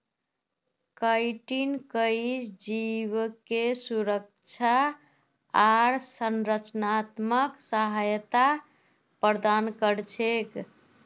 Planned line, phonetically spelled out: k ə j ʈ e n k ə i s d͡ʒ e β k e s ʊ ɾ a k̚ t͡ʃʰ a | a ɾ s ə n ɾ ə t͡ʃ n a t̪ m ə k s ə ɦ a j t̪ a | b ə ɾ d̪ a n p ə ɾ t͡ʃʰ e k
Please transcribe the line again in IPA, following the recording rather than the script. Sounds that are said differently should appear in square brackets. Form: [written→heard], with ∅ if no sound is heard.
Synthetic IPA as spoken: k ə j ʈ [e→i] n k ə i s d͡ʒ [e→i] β k e s [ʊ→u] ɾ [a→ə] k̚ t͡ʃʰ a | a ɾ s ə n ɾ ə t͡ʃ n a t̪ m ə k s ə ɦ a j t̪ a | [b→p] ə ɾ d̪ a n [p→k] ə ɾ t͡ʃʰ e k